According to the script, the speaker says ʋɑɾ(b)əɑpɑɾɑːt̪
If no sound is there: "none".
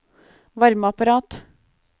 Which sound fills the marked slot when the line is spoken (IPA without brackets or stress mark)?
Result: m